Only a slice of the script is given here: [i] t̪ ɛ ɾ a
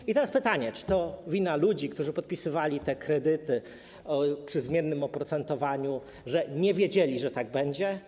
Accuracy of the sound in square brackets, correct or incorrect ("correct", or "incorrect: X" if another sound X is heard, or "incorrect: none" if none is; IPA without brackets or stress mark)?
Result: correct